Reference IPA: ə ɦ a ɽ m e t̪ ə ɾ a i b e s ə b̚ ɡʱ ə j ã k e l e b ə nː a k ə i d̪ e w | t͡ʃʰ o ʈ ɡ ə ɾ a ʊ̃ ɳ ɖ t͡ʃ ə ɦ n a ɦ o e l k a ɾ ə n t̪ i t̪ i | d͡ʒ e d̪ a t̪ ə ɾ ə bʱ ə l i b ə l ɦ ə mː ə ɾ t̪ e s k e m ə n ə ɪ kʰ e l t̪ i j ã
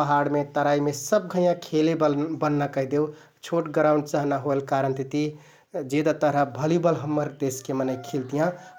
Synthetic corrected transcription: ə ɦ a ɽ m e t̪ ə ɾ a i m e s ə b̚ ɡʱ ə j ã kʰ e l e b ə nː a k ə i d̪ e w | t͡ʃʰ o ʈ ɡ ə ɾ a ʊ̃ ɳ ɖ t͡ʃ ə ɦ n a ɦ o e l k a ɾ ə n t̪ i t̪ i | d͡ʒ e d̪ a t̪ ə ɾ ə bʱ ə l i b ə l ɦ ə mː ə ɾ d̪ e s k e m ə n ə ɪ kʰ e l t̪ i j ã